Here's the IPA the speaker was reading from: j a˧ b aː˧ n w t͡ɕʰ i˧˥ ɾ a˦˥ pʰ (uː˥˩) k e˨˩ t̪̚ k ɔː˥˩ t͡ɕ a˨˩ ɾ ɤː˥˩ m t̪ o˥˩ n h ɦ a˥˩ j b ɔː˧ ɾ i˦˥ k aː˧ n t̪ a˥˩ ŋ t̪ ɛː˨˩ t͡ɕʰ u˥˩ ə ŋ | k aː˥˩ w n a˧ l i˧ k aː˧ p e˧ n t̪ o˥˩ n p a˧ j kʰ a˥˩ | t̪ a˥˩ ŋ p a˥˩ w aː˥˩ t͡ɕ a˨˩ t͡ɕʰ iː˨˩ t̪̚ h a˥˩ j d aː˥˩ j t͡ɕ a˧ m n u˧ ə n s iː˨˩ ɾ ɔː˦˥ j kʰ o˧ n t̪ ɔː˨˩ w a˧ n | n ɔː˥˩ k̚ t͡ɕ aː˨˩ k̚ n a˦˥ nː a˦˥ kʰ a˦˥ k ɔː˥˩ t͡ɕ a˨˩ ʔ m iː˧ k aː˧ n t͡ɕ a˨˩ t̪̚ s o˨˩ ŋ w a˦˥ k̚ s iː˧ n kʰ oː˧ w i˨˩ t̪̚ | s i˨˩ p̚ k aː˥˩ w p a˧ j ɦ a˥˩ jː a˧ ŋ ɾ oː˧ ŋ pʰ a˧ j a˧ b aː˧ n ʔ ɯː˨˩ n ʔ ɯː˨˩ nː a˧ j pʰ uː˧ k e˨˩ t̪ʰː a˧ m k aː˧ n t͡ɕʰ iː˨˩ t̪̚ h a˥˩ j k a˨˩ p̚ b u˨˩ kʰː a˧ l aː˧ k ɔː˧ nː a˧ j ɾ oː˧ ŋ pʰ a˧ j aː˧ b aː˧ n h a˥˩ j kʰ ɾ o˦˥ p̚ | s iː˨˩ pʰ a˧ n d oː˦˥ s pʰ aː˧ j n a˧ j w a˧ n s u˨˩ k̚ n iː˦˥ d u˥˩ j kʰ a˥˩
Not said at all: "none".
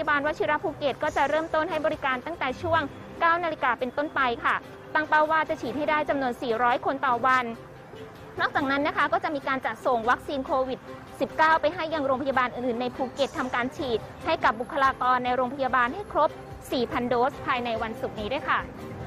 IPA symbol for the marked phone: uː˧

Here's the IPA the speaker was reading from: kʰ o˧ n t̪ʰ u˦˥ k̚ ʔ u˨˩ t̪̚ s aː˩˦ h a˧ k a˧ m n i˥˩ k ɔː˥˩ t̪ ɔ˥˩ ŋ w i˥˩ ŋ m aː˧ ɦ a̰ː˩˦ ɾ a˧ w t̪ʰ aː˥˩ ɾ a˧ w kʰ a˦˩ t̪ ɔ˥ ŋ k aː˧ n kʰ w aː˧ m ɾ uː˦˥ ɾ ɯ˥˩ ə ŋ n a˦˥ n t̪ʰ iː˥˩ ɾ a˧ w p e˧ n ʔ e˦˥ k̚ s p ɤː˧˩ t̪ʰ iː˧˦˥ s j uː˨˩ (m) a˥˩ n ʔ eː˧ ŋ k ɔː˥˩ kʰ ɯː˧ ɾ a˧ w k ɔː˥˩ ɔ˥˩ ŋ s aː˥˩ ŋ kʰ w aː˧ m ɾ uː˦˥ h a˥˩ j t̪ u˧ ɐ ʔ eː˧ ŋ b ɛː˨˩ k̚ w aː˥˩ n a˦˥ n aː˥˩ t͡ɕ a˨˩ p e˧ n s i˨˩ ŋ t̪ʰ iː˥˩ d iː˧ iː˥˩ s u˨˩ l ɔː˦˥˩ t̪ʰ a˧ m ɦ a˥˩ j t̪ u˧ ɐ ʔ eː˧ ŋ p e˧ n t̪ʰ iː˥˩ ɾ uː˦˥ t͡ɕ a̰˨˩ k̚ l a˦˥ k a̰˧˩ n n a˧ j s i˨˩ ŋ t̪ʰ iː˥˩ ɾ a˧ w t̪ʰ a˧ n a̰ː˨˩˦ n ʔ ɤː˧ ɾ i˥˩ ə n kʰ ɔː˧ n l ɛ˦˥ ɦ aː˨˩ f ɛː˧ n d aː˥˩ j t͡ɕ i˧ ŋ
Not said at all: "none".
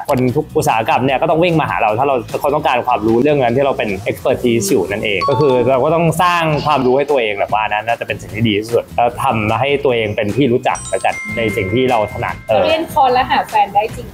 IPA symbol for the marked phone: n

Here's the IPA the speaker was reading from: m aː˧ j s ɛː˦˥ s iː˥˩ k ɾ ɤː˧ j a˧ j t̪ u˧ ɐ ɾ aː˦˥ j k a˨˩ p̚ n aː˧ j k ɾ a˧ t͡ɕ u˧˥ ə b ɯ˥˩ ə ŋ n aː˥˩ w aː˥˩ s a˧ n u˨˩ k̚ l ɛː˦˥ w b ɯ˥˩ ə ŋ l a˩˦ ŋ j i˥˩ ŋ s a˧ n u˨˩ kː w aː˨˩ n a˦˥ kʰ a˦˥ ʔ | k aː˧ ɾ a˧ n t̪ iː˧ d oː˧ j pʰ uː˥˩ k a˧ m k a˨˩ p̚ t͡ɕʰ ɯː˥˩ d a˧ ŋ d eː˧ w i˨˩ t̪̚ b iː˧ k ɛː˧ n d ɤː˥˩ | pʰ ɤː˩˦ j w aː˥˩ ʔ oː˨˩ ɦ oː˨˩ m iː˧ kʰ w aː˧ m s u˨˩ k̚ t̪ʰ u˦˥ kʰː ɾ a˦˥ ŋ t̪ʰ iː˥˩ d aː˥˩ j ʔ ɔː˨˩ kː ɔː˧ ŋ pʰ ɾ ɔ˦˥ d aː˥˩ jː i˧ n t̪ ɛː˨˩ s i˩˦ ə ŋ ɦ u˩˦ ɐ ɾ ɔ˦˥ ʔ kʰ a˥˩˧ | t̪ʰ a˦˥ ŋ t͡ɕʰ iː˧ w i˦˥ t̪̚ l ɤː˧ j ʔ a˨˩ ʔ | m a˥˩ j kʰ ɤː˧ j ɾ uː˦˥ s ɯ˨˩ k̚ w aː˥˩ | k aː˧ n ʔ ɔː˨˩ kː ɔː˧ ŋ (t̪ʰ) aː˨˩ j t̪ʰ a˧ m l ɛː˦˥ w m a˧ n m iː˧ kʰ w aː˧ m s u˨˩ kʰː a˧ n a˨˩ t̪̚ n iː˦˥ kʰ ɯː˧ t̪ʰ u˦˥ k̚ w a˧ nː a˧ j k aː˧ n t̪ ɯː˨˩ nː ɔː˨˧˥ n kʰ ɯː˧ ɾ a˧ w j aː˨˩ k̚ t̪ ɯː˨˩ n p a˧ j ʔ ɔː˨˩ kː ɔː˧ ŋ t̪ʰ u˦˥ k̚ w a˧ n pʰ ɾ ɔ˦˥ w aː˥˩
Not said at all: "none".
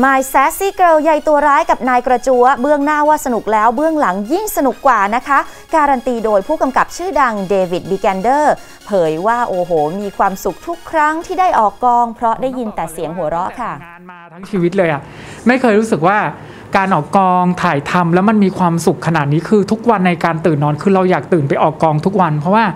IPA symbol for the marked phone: t̪ʰ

